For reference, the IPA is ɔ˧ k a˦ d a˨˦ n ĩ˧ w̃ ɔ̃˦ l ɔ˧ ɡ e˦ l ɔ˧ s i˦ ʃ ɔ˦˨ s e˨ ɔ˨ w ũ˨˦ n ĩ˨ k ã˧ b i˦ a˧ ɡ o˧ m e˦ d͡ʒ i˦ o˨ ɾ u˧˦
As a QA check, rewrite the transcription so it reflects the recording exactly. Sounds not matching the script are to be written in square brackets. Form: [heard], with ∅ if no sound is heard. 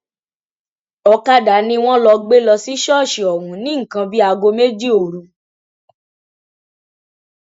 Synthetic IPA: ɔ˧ k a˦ d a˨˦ n ĩ˧ w̃ ɔ̃˦ l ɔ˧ [ɡ͡b] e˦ l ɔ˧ s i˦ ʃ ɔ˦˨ [ʃ] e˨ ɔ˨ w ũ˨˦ n [ĩ˦˨] k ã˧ b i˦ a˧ ɡ o˧ m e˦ d͡ʒ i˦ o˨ ɾ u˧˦